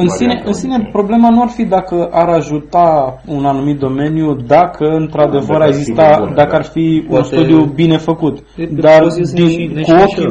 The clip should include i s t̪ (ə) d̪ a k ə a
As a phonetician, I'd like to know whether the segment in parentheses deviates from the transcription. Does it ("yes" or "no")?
yes